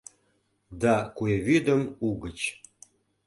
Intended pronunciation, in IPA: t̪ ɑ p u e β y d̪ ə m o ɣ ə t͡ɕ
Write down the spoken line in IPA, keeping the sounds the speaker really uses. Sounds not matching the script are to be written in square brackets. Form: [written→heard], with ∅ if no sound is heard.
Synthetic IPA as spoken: [t̪→d̪] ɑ [p→k] u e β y d̪ ə m [o→u] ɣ ə t͡ɕ